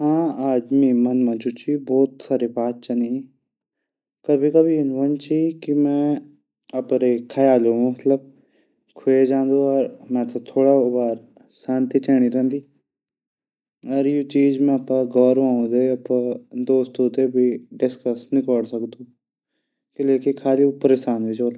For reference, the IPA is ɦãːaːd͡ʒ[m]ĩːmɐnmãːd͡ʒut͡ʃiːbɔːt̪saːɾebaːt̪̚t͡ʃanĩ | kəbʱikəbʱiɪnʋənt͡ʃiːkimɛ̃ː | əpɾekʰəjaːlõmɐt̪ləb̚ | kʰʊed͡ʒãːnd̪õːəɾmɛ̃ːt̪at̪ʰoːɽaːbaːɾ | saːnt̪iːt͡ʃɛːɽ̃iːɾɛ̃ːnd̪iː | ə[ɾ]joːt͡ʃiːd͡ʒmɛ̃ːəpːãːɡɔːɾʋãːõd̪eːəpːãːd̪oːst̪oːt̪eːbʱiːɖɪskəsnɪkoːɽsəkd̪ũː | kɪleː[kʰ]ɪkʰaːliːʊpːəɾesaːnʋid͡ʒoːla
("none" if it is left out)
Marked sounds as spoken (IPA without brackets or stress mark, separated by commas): m, ɾ, k